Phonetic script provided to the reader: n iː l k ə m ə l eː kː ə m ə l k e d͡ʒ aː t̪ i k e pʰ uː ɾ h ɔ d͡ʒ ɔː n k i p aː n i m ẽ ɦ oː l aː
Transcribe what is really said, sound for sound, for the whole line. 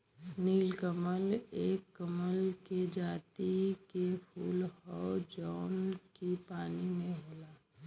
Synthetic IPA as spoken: n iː l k ə m ə l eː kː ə m ə l k e d͡ʒ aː t̪ i k e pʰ uː l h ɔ d͡ʒ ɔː n k i p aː n i m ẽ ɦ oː l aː